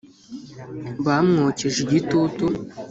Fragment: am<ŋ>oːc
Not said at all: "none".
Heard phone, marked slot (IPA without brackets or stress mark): ŋ